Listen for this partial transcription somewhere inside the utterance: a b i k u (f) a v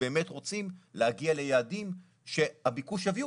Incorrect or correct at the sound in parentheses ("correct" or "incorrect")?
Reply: incorrect